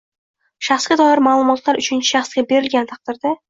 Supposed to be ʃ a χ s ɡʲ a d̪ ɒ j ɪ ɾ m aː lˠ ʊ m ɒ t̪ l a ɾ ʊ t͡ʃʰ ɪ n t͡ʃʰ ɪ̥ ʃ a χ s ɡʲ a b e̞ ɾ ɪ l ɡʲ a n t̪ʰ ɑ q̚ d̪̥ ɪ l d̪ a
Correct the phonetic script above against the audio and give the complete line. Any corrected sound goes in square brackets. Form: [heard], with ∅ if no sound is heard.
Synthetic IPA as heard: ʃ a χ s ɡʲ a d̪ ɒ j ɪ ɾ m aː lˠ ʊ m ɒ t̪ l a ɾ ʊ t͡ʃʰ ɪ n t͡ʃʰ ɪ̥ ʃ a χ s ɡʲ a b e̞ ɾ ɪ l ɡʲ a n t̪ʰ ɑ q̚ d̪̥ ɪ [ɾ] d̪ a